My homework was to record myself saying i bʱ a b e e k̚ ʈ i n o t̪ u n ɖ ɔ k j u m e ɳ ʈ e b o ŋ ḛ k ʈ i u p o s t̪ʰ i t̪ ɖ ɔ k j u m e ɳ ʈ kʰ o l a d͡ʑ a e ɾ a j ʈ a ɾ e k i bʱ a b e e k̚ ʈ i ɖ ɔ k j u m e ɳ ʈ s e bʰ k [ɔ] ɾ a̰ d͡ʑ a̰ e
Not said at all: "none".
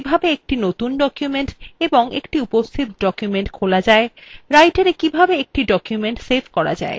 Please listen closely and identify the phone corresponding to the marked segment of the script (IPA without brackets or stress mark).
ɔ